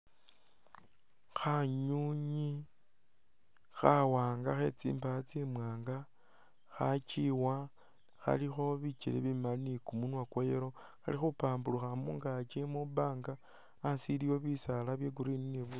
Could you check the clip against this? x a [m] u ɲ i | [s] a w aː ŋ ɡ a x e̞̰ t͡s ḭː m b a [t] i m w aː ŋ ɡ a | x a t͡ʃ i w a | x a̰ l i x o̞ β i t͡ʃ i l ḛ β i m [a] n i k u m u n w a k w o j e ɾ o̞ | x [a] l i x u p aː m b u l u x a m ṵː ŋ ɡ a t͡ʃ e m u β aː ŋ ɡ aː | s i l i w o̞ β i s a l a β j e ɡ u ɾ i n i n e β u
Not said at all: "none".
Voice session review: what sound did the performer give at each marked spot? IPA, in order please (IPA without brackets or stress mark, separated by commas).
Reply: ɲ, x, t͡s, a, a